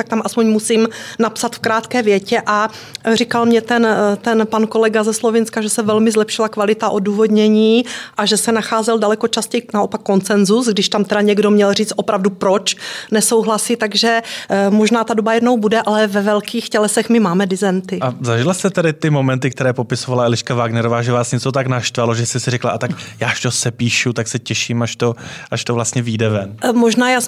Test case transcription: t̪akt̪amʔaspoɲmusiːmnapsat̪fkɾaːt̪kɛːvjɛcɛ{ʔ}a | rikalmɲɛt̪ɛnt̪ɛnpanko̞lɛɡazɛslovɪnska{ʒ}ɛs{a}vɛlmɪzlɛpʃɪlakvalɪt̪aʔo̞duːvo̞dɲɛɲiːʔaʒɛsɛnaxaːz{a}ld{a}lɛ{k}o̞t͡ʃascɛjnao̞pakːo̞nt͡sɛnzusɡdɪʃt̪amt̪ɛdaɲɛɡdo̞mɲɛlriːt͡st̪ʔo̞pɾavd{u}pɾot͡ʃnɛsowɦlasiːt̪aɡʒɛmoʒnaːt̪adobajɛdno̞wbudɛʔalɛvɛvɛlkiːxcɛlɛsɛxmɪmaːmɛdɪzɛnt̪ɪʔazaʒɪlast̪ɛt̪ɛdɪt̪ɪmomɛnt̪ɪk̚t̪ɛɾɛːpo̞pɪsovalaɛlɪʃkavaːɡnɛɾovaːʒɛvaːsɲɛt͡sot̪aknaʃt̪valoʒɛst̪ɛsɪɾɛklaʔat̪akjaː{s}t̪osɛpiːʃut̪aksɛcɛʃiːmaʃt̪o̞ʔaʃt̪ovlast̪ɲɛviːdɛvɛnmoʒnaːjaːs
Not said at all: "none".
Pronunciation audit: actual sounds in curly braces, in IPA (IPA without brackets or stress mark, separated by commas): ʔ, ʒ, ɛ, ɛ, a, k, u, ʃ